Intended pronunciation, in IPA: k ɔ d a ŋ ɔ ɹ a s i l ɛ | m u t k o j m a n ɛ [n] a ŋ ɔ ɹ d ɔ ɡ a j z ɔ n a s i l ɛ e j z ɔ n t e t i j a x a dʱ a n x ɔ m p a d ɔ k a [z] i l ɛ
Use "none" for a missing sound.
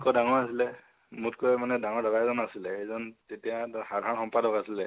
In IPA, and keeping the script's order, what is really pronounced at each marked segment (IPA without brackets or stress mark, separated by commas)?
d, s